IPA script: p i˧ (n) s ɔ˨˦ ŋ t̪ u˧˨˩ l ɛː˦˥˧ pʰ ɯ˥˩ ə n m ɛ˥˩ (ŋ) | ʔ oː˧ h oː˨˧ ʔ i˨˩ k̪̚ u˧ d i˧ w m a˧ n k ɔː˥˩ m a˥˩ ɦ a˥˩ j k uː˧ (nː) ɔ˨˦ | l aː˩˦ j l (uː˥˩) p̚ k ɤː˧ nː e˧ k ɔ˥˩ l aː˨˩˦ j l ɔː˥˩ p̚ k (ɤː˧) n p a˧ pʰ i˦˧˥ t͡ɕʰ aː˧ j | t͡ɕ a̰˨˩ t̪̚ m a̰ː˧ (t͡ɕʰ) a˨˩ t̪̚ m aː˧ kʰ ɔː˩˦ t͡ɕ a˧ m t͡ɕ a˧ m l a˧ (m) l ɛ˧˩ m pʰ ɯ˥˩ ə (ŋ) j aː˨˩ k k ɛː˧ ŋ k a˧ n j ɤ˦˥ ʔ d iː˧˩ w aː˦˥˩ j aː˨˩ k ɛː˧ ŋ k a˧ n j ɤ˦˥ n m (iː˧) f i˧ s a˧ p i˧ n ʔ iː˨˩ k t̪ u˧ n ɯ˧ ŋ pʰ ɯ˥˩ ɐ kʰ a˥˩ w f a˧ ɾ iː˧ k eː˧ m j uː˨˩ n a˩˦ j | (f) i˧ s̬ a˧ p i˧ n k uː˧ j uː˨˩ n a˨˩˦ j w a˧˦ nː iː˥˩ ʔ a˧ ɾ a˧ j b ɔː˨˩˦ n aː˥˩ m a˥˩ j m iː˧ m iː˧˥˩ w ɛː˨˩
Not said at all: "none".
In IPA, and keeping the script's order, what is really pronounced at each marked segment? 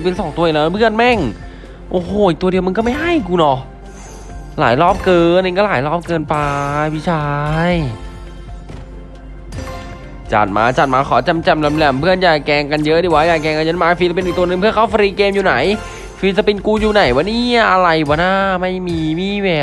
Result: n, ŋ, n, ɔː˥˩, ɤː˧, t͡ɕ, m, n, aː˧, f

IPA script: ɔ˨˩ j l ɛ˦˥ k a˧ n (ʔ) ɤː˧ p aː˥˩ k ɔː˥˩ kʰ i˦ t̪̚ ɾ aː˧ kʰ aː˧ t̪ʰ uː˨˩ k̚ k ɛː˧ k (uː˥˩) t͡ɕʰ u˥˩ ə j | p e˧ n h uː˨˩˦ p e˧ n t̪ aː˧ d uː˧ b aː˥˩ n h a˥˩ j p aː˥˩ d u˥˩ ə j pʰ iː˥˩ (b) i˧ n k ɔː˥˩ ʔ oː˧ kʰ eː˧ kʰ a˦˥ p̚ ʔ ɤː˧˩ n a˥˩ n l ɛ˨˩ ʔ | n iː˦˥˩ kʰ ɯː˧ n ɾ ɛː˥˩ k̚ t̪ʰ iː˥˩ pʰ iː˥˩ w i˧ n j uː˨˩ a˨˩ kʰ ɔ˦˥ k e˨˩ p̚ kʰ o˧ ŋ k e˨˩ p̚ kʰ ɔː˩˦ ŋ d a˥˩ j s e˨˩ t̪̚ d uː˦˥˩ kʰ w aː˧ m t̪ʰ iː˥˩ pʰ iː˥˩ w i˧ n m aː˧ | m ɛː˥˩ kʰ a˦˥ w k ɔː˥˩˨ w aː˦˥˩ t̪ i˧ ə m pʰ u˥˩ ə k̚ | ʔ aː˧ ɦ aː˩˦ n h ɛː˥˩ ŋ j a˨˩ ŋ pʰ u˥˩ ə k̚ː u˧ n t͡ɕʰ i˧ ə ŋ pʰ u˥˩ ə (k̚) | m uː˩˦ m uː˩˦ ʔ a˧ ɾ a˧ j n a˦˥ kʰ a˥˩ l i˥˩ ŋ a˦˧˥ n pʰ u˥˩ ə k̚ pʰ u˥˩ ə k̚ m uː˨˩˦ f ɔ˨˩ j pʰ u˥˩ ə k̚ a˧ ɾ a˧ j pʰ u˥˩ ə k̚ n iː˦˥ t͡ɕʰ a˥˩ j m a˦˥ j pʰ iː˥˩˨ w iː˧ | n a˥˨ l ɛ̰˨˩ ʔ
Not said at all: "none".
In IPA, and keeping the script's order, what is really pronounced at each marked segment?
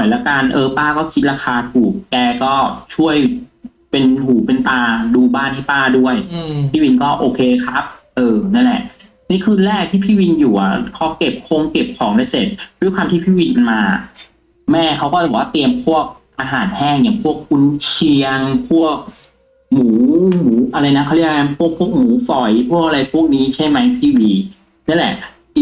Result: ʔ, ɔː˥˩, w, k̚

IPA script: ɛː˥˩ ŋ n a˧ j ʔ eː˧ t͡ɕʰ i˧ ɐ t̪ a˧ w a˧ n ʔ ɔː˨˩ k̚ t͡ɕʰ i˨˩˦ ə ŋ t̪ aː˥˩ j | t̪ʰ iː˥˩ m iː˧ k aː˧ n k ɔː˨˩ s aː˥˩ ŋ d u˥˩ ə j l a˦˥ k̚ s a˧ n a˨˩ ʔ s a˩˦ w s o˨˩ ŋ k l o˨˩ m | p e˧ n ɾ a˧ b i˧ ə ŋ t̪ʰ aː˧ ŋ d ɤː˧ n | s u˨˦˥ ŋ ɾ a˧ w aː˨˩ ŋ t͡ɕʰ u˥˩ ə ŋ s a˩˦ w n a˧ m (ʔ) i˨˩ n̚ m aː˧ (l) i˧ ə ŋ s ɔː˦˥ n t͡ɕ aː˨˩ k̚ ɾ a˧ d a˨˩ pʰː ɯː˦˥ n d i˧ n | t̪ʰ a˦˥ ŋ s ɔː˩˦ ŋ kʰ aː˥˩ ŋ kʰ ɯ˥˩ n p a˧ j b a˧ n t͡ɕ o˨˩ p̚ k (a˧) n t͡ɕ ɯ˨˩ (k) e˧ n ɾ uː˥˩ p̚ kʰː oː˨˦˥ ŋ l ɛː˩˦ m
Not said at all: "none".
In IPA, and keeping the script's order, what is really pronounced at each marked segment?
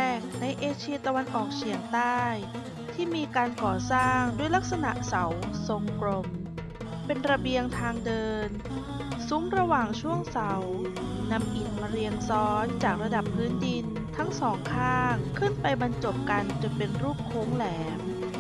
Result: ʔ, ɾ, a˧, p

